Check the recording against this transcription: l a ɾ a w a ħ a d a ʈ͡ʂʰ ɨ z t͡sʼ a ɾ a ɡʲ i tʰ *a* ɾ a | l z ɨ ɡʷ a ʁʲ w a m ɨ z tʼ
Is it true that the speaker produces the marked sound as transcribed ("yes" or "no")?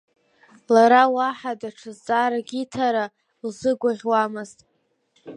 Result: yes